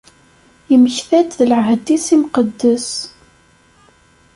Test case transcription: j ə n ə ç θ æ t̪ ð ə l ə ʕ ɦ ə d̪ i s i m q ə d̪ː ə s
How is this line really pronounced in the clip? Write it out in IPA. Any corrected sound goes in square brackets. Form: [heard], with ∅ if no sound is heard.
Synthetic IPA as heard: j ə [m] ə ç θ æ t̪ ð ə l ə ʕ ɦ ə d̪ i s i m q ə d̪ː ə s